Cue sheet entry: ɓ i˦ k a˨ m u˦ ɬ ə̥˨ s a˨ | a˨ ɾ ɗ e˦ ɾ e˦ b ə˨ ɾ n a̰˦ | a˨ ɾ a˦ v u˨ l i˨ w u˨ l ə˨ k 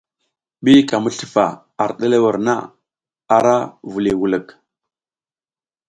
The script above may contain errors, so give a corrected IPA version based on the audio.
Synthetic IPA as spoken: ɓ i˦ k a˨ m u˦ ɬ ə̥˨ f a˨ | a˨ ɾ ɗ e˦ l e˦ w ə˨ ɾ n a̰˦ | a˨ ɾ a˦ v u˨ l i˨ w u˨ l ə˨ k